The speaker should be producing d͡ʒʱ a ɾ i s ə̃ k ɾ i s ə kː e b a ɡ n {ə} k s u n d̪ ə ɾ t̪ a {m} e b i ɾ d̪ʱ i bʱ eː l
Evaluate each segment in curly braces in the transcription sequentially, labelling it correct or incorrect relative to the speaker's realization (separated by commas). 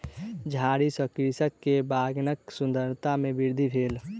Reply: correct, correct